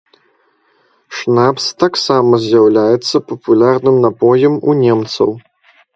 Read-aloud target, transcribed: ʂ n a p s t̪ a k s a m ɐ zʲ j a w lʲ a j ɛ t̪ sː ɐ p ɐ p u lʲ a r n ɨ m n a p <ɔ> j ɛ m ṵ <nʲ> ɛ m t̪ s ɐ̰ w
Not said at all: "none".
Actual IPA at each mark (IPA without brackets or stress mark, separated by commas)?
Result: ɔ, nʲ